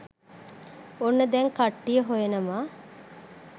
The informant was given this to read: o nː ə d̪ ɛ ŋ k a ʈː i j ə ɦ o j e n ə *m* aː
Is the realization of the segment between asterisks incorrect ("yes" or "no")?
no